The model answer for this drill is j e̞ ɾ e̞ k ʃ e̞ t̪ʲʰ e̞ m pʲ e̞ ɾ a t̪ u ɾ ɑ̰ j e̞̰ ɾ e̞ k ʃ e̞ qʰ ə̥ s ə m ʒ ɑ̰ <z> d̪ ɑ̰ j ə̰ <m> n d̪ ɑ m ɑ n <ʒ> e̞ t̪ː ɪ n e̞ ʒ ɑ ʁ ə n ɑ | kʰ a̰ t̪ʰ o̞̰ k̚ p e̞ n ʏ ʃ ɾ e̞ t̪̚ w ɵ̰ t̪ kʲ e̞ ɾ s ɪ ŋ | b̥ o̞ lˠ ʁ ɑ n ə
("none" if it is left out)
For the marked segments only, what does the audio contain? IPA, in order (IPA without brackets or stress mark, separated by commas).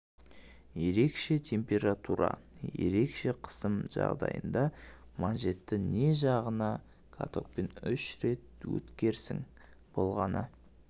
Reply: ʁ, none, ʒ